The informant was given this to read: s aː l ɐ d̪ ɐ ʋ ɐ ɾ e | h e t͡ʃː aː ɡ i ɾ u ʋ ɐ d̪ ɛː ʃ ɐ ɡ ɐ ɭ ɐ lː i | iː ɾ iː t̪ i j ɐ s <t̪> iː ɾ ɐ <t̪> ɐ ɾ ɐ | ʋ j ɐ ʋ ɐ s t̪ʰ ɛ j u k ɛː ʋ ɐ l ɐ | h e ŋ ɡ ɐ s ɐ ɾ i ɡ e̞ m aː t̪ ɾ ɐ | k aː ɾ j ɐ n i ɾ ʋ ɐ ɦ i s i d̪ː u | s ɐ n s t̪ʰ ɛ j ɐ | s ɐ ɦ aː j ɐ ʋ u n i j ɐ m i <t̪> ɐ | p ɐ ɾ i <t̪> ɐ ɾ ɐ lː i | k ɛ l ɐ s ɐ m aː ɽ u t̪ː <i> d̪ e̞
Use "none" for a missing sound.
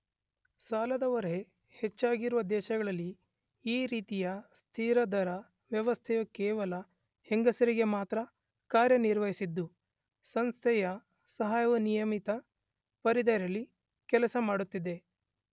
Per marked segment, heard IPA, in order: t̪ʰ, d̪, t̪, d̪, i

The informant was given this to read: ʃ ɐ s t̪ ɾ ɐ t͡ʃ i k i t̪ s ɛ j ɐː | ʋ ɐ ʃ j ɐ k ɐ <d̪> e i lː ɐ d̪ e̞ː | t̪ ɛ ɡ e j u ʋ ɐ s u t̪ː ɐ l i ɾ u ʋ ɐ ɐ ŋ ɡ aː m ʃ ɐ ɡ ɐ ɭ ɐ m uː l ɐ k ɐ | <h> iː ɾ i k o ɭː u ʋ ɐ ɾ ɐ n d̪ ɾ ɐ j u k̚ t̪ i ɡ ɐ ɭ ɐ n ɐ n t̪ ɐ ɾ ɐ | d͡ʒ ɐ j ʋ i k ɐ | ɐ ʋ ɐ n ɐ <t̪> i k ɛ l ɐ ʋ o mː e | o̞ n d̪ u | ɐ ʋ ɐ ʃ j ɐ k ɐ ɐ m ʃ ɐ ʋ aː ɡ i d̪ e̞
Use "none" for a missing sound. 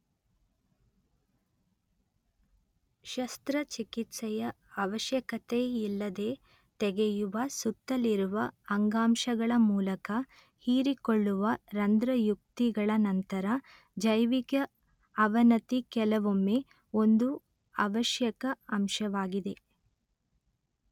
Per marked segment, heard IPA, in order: t̪, h, t̪

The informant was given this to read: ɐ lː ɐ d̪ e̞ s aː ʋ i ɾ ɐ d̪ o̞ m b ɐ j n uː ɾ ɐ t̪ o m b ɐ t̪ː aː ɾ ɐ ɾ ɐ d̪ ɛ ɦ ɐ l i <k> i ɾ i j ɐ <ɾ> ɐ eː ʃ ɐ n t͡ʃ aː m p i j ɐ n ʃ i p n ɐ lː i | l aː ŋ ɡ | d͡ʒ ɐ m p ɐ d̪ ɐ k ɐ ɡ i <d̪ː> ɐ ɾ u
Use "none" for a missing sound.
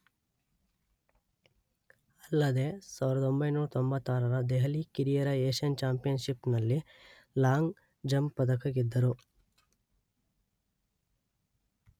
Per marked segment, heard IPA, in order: k, ɾ, d̪ː

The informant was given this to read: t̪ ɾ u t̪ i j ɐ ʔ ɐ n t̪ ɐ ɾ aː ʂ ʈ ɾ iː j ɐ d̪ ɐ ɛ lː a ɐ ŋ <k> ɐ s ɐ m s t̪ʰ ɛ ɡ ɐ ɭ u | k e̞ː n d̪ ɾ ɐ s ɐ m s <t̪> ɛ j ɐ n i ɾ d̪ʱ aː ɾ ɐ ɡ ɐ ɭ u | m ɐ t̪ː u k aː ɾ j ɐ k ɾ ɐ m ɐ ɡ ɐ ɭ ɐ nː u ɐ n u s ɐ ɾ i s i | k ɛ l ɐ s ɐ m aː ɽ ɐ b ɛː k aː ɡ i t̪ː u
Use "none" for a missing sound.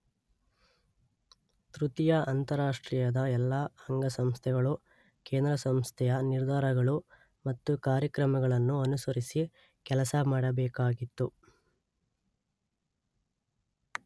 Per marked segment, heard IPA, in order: ɡ, t̪ʰ

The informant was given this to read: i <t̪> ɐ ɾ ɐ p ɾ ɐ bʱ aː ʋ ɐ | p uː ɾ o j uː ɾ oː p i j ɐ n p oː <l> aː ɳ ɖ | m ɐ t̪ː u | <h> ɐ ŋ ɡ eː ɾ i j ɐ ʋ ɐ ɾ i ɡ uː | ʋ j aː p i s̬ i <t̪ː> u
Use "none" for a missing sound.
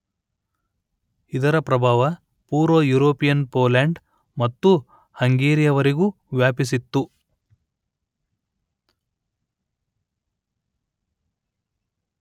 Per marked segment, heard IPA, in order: d̪, l, h, t̪ː

